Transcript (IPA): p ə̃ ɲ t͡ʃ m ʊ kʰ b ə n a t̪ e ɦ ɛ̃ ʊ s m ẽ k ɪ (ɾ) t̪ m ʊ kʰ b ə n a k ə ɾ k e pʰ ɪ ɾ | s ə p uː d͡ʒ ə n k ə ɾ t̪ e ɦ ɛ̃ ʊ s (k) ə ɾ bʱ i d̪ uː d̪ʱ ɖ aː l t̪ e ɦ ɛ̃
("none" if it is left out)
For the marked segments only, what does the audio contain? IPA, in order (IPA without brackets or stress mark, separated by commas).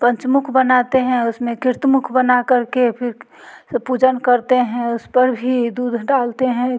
ɾ, p